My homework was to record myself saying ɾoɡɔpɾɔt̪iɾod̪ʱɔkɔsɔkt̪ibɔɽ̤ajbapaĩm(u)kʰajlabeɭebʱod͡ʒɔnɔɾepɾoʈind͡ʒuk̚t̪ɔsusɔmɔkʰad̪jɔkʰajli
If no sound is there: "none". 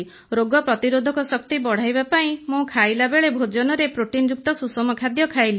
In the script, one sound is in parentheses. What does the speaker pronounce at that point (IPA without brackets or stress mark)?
ũ